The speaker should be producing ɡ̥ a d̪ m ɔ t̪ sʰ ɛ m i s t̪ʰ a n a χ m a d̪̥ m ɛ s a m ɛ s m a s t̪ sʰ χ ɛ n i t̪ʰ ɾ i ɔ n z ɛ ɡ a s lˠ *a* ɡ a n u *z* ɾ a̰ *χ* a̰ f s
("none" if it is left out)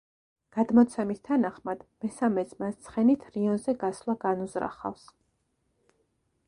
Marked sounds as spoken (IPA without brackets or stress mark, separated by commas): a, z, χ